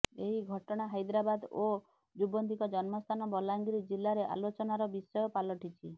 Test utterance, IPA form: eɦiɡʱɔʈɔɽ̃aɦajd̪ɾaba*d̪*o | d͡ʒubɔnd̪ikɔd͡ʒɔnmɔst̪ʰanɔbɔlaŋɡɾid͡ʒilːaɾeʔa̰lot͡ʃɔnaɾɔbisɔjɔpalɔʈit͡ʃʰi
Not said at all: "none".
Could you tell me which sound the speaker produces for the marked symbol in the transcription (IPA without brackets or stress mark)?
d̪